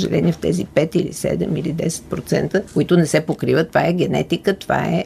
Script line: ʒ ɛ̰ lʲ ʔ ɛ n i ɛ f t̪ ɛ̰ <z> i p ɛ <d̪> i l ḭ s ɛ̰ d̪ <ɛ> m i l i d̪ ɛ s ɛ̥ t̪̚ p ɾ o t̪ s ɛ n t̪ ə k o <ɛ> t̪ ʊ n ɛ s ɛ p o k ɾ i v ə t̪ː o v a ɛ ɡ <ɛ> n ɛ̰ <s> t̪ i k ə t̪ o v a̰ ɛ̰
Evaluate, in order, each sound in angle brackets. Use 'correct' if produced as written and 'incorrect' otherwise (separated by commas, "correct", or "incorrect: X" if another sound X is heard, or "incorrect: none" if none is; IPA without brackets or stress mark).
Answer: correct, incorrect: t̪, correct, incorrect: i, correct, incorrect: none